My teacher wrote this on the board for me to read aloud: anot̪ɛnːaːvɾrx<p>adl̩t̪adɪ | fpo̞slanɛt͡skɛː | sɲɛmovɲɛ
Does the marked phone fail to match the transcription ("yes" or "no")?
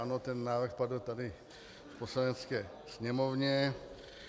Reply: no